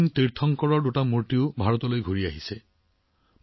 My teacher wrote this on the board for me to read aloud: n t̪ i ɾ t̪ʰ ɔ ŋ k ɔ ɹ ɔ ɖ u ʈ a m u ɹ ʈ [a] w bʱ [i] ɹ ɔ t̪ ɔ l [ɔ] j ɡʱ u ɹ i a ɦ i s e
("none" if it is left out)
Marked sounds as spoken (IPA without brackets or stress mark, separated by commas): i, a, o